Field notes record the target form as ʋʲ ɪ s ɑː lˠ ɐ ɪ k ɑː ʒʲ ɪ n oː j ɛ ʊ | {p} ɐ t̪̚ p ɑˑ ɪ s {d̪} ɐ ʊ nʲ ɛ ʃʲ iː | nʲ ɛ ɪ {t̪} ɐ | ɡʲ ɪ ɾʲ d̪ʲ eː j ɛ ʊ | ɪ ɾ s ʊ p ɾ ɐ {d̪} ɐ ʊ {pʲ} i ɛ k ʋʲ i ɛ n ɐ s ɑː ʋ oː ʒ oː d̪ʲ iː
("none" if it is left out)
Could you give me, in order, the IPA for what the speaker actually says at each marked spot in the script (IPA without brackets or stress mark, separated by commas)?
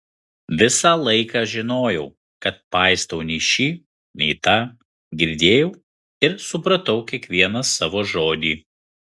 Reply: k, t̪, t̪, t̪, kʲ